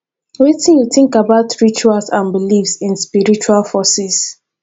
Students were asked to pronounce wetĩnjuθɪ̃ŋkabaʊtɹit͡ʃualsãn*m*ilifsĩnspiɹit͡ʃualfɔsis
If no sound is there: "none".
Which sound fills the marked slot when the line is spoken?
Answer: b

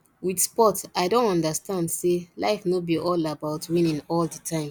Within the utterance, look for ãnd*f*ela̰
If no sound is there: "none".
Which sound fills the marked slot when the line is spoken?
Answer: s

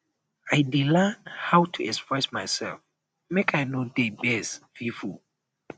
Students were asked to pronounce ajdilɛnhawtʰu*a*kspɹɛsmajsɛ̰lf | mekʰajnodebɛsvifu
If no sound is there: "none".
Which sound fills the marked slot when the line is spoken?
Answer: ɛ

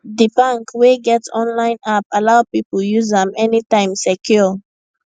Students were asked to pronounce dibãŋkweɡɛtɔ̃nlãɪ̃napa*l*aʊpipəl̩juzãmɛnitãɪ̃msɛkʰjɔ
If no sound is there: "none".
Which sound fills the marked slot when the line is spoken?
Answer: l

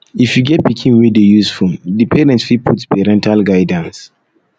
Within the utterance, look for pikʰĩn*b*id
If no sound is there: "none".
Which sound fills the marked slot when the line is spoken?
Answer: w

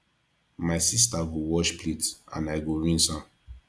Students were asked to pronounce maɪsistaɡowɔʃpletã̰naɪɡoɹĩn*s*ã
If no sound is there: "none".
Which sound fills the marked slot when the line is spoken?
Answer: s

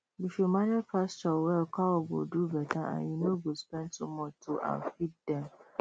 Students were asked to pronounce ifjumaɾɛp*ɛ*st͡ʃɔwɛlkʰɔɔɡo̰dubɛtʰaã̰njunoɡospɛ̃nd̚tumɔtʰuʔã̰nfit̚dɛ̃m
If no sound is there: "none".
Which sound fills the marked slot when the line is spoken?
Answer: a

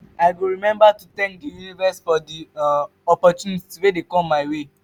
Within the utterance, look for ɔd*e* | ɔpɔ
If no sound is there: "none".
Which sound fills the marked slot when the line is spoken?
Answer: i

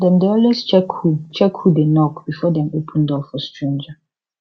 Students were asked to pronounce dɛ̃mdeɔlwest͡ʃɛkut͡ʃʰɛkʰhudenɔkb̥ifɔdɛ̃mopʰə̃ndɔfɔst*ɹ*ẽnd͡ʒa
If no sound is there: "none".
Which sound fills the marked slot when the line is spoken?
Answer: ɹ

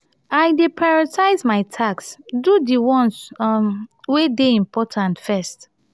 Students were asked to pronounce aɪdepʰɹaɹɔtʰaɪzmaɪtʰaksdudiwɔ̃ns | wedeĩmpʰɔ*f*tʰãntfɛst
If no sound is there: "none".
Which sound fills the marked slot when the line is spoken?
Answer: none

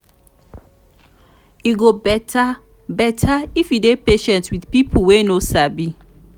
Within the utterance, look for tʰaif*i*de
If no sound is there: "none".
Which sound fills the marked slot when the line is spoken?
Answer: i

